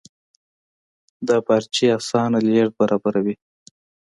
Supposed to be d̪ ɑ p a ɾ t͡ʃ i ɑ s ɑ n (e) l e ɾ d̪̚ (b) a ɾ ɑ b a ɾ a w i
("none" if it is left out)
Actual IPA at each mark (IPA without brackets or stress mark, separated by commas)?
a, b